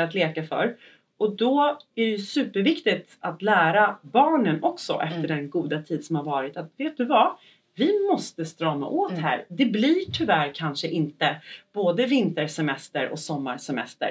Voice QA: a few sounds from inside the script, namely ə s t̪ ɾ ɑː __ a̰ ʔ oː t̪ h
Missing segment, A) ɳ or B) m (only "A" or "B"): B